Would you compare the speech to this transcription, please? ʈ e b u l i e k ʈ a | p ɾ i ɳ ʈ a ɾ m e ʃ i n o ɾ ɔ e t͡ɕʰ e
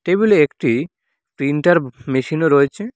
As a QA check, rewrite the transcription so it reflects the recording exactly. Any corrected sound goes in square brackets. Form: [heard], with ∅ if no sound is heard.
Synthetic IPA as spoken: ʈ e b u l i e k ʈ [i] | p ɾ i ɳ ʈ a ɾ m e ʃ i n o ɾ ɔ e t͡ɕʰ e